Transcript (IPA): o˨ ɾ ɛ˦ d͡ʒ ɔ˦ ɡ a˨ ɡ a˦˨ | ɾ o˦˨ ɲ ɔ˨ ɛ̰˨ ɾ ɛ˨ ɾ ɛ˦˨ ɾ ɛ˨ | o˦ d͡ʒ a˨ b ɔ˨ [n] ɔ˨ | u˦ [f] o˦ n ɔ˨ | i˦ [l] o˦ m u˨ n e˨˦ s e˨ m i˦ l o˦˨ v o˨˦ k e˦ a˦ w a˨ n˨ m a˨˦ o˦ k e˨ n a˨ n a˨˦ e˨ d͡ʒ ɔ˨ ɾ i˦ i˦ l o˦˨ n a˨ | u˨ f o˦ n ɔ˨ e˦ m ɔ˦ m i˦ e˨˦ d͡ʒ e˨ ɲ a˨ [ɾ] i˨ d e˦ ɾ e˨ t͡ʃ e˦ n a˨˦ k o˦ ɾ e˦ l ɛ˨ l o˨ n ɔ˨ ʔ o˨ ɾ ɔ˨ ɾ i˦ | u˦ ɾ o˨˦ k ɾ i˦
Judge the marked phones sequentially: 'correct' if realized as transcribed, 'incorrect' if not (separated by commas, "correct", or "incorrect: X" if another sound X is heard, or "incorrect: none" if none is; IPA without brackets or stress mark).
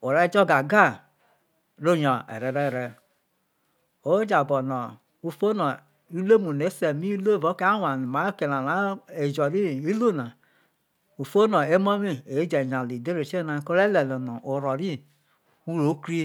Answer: correct, correct, correct, incorrect: l